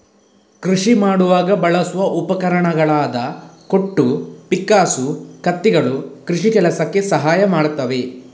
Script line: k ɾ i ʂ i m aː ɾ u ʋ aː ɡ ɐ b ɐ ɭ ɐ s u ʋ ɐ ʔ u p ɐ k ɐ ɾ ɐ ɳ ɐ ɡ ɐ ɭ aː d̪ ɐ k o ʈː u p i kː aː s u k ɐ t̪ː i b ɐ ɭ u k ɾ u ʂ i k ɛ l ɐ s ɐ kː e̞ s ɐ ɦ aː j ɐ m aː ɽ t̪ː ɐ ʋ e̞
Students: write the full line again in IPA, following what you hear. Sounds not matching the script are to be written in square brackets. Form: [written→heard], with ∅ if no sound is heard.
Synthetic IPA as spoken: k ɾ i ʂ i m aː [ɾ→ɽ] u ʋ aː ɡ ɐ b ɐ ɭ ɐ s u ʋ ɐ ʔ u p ɐ k ɐ ɾ ɐ ɳ ɐ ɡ ɐ ɭ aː d̪ ɐ k o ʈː u p i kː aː s u k ɐ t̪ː i [b→ɡ] ɐ ɭ u k ɾ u ʂ i k ɛ l ɐ s ɐ kː e̞ s ɐ ɦ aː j ɐ m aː ɽ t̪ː ɐ ʋ e̞